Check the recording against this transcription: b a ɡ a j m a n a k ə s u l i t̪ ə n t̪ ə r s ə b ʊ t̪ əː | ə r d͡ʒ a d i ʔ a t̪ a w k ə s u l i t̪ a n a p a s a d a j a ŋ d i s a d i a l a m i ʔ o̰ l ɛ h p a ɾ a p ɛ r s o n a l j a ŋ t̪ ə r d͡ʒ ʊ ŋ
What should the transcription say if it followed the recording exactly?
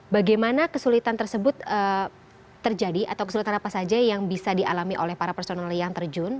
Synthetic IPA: b a ɡ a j m a n a k ə s u l i t̪ a n t̪ ə r s ə b ʊ t̪ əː | ə r d͡ʒ a d i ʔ a t̪ a w k ə s u l i t̪ a n a p a s a d͡ʒ a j a ŋ b i s a d i a l a m i ʔ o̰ l ɛ h p a ɾ a p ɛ r s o n a l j a ŋ t̪ ə r d͡ʒ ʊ n